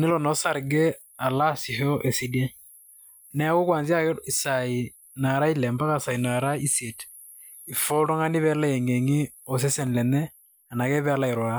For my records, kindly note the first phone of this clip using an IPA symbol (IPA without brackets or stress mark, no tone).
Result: n